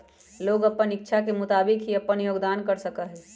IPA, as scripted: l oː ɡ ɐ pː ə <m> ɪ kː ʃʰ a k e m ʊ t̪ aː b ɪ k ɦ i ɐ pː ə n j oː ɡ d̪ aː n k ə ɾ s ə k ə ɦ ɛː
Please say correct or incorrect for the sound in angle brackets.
incorrect